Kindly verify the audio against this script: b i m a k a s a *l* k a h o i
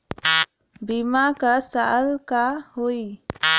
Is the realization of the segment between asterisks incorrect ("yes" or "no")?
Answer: no